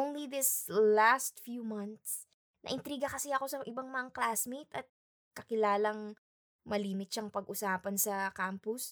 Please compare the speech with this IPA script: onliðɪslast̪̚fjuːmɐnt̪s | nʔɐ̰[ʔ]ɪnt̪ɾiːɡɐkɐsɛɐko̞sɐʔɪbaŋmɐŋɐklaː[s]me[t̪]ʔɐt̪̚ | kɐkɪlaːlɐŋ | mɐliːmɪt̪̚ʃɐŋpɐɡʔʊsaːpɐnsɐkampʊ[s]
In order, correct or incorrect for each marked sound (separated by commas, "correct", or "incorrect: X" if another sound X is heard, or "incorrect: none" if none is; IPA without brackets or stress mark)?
correct, correct, correct, correct